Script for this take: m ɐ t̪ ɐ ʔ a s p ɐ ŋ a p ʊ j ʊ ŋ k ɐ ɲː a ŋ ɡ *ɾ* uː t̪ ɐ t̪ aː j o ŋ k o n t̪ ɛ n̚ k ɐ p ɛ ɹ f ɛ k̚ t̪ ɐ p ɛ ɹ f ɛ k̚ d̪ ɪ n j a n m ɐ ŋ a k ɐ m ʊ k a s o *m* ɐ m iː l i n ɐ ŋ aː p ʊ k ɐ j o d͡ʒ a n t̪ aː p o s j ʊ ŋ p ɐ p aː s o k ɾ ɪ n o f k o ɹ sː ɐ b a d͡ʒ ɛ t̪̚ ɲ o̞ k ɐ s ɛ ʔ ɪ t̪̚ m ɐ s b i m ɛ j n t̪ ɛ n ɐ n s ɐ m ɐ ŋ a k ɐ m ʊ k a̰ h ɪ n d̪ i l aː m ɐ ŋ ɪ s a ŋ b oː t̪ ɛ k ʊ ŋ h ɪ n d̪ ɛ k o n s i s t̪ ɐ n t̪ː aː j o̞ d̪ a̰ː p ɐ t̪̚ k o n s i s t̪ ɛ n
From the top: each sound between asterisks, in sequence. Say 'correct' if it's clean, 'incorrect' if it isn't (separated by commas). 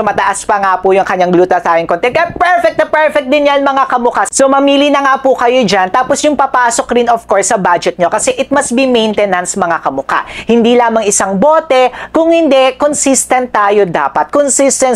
incorrect, correct